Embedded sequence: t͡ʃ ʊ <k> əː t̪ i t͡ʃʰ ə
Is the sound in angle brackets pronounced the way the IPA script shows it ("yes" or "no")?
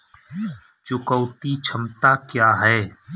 yes